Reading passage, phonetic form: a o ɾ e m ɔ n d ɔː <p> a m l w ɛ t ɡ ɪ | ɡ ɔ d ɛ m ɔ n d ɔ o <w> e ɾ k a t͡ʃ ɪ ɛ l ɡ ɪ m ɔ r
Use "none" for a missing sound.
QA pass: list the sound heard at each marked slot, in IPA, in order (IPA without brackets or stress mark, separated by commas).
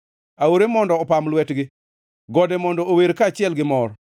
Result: p, w